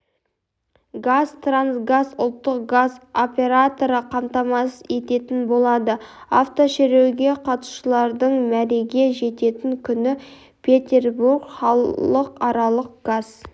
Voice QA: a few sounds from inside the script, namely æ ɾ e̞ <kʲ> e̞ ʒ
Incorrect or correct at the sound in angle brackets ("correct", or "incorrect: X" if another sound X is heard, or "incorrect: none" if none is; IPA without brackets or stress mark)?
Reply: incorrect: ɡʲ